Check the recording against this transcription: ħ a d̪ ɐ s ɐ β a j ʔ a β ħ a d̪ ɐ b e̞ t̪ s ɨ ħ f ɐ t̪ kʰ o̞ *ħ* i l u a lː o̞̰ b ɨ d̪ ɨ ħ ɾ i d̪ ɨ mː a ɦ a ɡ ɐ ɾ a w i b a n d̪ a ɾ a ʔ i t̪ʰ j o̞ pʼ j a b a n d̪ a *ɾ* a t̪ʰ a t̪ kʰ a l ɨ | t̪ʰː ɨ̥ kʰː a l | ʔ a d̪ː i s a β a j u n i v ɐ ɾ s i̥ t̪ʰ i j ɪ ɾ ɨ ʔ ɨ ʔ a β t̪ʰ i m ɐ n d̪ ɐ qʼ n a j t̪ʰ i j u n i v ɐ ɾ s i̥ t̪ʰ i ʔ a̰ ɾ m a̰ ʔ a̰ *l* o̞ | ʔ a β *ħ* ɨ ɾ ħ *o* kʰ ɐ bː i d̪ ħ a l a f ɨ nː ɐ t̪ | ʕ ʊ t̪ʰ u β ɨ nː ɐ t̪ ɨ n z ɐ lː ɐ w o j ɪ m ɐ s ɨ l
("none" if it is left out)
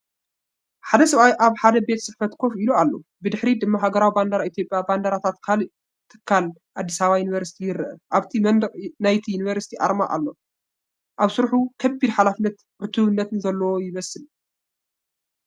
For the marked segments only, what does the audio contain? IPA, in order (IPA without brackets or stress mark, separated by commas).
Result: f, ɾ, lː, s, u